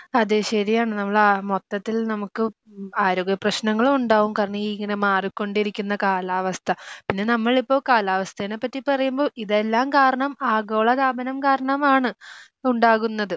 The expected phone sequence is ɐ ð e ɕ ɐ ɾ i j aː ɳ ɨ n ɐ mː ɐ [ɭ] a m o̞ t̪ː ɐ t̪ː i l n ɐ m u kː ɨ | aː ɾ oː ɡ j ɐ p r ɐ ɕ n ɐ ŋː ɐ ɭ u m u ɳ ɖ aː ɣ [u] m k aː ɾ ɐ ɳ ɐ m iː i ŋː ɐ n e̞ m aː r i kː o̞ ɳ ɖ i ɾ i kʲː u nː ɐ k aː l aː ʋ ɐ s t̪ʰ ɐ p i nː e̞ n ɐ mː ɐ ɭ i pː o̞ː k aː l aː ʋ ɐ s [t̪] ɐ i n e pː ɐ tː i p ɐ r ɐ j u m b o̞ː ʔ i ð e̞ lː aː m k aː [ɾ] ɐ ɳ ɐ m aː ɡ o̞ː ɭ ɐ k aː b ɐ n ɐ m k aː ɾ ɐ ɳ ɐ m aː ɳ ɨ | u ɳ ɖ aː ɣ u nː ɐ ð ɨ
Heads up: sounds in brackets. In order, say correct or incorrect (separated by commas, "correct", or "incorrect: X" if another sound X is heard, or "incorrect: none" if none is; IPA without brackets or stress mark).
correct, correct, incorrect: t̪ʰ, correct